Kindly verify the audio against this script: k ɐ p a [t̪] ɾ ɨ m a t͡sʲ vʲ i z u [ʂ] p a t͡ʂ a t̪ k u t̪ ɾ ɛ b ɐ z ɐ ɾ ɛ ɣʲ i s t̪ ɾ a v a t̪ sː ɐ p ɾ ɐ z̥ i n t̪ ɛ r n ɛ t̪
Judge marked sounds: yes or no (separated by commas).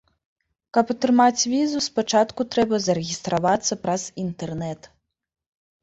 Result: yes, no